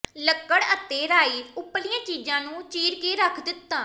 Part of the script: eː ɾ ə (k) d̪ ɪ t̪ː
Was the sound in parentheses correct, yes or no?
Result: no